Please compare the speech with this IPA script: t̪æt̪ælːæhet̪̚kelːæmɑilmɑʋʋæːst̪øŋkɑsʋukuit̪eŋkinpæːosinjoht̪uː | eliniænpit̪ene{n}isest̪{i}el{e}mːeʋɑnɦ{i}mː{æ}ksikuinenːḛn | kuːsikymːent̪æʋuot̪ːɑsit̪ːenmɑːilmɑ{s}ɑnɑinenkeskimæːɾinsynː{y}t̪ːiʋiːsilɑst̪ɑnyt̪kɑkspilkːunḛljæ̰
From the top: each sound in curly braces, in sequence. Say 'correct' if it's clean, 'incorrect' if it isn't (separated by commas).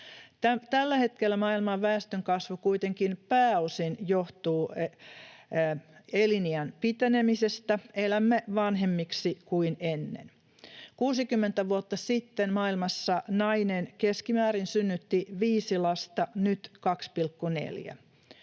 incorrect, incorrect, incorrect, incorrect, incorrect, incorrect, correct